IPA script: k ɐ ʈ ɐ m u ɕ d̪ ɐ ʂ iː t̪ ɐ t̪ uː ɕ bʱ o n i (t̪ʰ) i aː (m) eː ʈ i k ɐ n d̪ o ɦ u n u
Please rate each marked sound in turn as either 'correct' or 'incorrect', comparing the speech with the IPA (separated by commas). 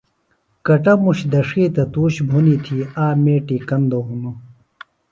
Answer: correct, correct